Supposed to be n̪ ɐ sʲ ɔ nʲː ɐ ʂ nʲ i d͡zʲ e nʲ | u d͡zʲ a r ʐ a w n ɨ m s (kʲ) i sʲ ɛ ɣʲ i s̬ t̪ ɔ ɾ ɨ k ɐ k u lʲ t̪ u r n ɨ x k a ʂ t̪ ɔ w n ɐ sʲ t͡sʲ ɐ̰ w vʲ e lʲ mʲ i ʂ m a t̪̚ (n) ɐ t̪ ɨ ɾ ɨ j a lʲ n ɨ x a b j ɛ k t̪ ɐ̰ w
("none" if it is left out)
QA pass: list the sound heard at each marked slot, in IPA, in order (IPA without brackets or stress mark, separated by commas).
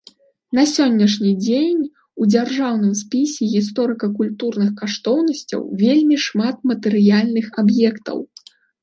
pʲ, m